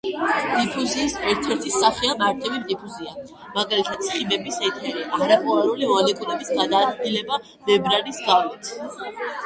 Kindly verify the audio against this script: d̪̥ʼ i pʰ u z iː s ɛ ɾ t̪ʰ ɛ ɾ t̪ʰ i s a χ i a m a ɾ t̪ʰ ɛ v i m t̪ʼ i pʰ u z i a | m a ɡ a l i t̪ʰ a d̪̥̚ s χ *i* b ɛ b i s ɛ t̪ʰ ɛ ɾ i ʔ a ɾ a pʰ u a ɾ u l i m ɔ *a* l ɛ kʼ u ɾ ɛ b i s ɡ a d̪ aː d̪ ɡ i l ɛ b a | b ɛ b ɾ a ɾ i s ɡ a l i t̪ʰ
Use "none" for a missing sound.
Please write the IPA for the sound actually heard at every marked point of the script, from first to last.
i, a

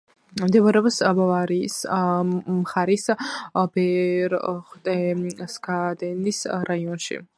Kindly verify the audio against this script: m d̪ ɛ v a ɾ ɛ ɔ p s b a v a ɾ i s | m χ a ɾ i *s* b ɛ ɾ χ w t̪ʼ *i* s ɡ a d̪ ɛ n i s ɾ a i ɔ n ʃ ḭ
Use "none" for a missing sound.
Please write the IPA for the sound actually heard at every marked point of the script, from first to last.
s, ɛ

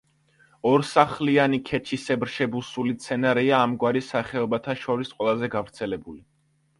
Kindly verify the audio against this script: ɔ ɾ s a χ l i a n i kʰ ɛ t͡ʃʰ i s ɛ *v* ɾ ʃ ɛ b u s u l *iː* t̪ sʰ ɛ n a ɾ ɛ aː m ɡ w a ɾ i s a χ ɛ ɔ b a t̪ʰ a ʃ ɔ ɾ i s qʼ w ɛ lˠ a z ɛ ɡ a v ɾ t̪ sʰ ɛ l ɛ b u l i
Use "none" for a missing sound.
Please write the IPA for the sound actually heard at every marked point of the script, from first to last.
b, i

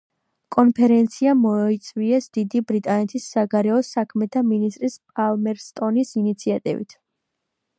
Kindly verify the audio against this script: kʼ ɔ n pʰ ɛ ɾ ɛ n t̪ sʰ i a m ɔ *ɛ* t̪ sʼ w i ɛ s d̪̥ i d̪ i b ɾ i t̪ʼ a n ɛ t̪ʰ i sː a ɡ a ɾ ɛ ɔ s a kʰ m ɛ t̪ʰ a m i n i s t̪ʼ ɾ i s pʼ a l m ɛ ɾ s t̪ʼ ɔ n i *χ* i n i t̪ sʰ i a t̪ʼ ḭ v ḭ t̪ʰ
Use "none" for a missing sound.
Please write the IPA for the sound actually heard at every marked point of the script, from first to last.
i, s

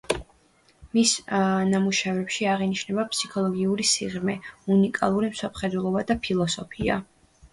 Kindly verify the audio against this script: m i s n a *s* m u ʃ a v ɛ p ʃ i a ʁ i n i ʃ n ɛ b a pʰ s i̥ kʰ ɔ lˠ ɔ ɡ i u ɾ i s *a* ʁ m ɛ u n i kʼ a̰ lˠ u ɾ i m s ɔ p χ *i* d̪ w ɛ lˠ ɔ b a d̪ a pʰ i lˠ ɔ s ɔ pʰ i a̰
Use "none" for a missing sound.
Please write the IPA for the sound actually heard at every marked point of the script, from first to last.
none, i, ɛ

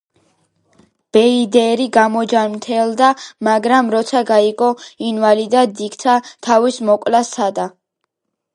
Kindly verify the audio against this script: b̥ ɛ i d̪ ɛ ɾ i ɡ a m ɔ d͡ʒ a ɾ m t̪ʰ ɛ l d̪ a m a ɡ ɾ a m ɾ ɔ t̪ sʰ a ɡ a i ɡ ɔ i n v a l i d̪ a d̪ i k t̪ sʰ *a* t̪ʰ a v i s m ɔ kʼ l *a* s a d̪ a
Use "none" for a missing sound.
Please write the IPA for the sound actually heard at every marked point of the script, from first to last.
a, a

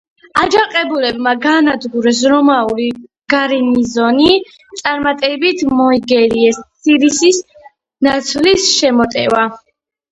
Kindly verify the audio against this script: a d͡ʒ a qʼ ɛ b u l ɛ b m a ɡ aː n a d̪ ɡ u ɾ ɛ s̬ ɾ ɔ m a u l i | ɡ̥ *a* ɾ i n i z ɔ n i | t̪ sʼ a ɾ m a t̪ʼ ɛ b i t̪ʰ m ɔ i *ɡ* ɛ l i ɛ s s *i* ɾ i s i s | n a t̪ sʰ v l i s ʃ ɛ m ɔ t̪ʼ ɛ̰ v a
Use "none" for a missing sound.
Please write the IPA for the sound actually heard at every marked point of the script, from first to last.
a, ɡ, i

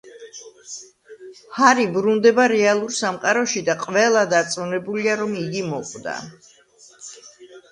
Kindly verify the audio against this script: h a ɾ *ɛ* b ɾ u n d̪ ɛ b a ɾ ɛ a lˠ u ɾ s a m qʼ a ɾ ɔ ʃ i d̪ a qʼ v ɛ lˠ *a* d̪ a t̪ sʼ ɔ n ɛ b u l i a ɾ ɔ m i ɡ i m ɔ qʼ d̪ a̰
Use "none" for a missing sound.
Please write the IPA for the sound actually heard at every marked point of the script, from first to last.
i, a

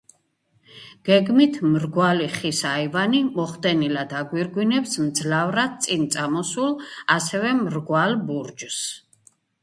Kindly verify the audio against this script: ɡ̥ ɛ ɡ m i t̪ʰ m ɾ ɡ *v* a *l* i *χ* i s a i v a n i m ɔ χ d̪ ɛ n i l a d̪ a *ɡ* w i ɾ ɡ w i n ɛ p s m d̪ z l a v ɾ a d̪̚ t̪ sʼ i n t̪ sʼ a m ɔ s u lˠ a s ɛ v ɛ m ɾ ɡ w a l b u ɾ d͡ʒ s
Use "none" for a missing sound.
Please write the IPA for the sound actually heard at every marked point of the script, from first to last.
w, l, χ, ɡ

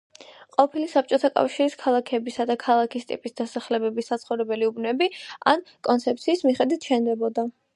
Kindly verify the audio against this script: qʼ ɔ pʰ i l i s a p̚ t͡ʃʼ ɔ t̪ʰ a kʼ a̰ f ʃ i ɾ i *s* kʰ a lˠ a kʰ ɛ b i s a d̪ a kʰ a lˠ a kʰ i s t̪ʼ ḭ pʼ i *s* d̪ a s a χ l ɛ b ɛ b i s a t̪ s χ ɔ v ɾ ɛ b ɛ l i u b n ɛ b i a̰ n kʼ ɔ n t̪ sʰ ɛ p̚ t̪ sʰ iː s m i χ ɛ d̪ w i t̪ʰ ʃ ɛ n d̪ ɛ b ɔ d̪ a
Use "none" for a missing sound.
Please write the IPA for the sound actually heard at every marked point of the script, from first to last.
s, s

